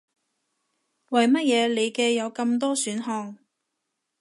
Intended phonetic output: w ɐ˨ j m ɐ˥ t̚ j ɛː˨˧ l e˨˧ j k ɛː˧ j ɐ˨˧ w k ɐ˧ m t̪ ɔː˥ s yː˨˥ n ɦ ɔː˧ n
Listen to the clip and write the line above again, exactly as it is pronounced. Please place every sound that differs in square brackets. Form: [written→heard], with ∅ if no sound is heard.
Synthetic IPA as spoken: w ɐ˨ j m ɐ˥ t̚ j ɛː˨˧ l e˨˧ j k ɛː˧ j ɐ˨˧ w k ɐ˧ m t̪ ɔː˥ s yː˨˥ n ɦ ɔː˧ [n→ŋ]